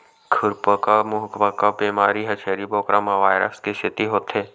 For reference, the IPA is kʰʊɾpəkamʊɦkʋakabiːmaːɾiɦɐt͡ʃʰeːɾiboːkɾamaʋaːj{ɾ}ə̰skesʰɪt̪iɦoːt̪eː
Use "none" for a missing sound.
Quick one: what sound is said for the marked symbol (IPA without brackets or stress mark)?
ɾ